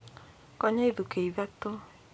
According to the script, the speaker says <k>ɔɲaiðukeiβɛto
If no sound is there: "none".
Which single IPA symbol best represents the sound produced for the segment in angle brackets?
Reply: k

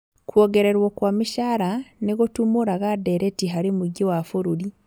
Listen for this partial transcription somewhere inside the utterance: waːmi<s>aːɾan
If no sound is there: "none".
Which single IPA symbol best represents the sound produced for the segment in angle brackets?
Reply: ʃ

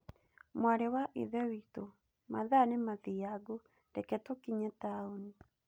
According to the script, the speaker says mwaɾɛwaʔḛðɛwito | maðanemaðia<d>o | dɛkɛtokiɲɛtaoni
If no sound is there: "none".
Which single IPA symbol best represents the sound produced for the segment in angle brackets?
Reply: ɡ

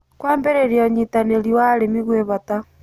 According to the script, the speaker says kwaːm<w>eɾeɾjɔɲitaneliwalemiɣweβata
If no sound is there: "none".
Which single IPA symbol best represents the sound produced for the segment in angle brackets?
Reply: b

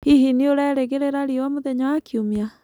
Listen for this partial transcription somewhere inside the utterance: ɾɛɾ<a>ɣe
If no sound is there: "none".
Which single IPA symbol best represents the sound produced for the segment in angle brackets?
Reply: e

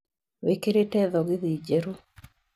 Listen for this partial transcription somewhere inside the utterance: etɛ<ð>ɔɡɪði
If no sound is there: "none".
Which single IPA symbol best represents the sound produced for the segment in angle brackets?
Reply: ð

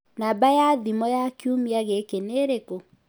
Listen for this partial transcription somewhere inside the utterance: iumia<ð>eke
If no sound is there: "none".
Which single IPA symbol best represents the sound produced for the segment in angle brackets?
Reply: ɣ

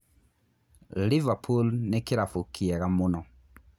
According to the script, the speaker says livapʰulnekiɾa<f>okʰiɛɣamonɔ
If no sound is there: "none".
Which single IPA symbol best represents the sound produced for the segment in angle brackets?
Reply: f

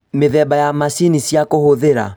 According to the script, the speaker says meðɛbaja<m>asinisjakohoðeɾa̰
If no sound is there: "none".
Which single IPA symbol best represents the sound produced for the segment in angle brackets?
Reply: m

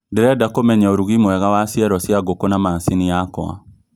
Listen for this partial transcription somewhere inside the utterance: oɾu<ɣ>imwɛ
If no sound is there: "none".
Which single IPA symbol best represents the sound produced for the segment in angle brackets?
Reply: ɣ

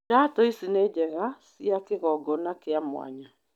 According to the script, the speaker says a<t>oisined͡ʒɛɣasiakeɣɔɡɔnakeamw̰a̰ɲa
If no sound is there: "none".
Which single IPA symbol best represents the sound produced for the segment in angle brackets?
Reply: t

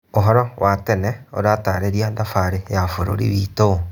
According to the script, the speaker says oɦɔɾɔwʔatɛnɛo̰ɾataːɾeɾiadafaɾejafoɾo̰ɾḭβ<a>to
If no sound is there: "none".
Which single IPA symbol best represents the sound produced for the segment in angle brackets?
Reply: i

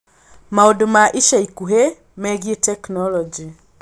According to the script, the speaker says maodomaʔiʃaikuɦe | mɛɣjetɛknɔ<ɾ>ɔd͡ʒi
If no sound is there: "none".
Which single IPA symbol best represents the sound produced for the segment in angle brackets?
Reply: l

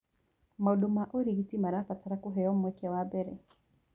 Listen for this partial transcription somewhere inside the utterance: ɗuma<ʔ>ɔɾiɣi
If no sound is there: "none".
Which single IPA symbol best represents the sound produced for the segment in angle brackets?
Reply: ʔ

